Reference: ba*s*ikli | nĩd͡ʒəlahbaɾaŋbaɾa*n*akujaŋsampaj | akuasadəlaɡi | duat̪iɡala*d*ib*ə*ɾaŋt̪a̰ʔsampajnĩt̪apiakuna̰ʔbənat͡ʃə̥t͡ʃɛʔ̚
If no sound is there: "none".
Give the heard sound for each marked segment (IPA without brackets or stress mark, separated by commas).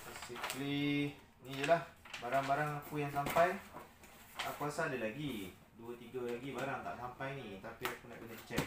s, ŋ, ɡ, a